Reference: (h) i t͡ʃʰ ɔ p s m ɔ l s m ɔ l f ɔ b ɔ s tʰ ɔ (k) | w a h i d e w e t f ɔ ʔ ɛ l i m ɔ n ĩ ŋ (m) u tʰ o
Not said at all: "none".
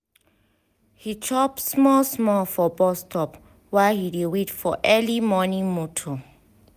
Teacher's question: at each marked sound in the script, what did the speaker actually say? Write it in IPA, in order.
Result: h, p, m

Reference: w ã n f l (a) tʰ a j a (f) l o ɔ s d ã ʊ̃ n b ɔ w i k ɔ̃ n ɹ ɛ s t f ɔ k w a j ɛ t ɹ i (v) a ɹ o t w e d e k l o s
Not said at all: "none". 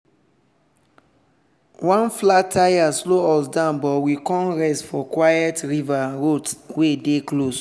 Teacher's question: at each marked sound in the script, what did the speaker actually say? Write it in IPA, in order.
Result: a, s, v

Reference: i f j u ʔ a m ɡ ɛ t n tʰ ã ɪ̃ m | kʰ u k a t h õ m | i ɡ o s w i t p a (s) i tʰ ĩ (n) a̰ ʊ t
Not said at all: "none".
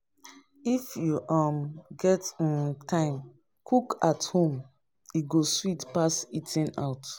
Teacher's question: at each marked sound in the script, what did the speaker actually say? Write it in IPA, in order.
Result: s, n

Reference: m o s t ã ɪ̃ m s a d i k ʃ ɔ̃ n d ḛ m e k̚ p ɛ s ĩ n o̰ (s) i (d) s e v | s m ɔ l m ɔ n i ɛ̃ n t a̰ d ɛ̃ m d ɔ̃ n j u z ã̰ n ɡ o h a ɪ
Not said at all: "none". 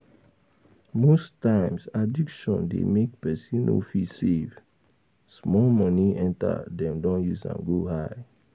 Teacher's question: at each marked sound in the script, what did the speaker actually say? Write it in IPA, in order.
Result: f, none

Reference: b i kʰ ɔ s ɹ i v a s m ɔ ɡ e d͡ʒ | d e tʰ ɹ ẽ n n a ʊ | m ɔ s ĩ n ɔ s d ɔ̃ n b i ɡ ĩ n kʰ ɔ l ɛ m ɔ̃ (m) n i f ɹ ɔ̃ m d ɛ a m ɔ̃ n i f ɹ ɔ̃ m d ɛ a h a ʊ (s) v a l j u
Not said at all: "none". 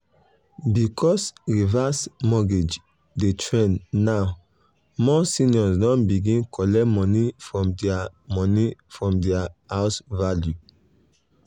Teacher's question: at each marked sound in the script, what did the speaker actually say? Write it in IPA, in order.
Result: none, s

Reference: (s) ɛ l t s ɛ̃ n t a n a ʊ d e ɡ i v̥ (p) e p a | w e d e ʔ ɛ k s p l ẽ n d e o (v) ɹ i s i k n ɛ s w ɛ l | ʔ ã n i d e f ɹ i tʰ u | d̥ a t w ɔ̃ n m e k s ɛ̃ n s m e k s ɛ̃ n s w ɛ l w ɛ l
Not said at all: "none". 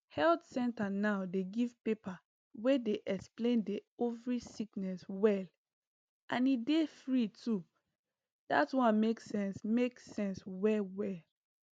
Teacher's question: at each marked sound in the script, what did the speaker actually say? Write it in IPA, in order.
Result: h, p, v

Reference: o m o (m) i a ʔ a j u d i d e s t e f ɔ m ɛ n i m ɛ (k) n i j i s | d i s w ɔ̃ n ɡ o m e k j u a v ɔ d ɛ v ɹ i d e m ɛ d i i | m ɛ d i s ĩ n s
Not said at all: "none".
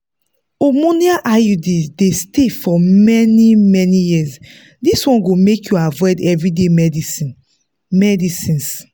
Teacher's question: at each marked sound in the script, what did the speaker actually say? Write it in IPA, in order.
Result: n, none

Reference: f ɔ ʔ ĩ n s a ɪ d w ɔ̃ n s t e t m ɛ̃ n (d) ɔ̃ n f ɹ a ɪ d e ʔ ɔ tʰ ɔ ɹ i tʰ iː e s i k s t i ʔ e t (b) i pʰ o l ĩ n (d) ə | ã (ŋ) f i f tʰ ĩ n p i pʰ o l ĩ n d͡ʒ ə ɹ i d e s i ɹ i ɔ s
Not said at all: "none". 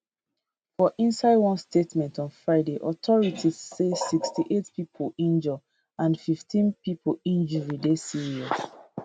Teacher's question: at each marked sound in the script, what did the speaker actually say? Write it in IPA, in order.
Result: t, p, d͡ʒ, n

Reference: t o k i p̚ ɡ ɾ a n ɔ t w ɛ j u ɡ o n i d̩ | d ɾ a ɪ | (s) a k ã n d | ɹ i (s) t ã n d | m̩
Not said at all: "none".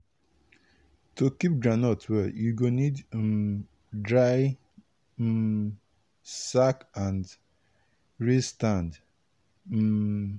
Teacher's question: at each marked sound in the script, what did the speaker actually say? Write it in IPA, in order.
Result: s, s

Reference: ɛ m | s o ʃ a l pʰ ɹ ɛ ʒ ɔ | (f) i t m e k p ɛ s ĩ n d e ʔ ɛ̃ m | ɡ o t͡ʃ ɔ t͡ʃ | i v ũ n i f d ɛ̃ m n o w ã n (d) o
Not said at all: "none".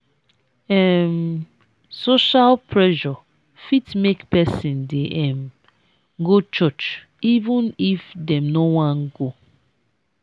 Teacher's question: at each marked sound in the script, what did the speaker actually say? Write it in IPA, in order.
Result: f, ɡ

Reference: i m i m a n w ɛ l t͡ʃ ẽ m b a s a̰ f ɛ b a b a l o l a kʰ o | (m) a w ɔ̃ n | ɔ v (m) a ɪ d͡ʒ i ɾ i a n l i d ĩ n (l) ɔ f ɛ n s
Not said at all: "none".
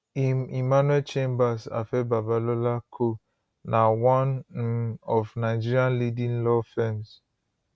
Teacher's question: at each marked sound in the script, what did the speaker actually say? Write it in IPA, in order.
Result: n, n, l

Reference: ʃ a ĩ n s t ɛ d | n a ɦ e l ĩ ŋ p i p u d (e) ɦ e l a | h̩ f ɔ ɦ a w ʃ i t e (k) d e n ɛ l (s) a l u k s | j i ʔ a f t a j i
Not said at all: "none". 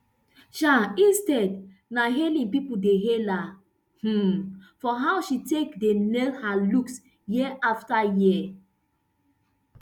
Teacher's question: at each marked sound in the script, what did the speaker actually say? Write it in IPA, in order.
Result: e, k, h

